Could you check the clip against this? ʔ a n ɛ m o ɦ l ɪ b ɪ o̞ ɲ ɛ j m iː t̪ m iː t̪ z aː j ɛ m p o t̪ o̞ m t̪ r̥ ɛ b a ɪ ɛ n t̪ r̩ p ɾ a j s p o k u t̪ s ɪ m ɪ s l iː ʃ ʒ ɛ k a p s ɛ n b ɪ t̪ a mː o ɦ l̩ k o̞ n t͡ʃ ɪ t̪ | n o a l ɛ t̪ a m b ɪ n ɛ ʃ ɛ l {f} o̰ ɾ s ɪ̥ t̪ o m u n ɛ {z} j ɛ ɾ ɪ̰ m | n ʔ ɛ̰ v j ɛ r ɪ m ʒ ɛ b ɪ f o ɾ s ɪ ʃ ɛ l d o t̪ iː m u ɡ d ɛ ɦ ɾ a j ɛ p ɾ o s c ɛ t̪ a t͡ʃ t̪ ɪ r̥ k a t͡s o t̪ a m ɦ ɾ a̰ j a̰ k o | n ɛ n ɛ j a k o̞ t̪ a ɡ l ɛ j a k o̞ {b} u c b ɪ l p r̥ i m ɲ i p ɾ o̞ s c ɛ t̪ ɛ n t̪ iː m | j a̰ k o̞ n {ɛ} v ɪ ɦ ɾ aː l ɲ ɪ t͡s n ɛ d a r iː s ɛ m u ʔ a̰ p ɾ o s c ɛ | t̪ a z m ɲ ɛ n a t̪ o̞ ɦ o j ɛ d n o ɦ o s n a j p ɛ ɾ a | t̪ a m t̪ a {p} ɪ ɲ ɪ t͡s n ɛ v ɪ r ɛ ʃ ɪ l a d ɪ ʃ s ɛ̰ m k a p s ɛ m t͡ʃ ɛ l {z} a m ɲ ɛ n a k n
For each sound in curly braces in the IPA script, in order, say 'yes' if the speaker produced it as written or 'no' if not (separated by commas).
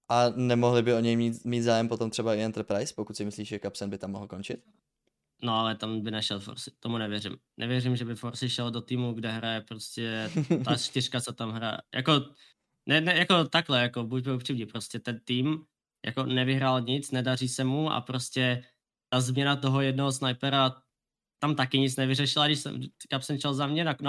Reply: yes, no, yes, yes, no, yes